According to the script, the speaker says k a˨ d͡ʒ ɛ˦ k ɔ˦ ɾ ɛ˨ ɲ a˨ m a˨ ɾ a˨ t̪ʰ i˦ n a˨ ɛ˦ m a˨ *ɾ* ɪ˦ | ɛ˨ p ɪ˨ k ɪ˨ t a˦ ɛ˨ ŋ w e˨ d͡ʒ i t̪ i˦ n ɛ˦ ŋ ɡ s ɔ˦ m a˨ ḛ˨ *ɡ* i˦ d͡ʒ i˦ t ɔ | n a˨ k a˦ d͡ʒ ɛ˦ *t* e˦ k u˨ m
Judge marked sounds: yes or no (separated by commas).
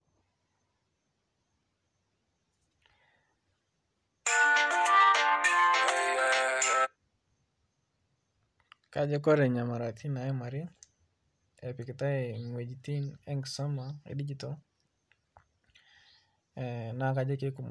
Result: yes, no, no